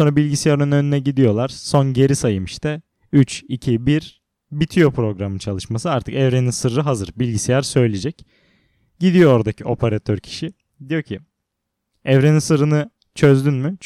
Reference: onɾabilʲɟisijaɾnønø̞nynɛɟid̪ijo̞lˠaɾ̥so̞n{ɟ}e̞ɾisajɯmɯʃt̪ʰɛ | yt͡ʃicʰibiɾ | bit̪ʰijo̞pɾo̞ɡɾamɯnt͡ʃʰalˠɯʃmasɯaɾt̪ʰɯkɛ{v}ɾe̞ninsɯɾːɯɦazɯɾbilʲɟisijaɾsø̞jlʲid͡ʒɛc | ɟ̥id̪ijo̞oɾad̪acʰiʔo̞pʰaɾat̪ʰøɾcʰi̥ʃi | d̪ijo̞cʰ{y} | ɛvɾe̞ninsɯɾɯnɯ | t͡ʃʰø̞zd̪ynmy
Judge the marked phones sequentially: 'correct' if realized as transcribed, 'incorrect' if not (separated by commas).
correct, correct, incorrect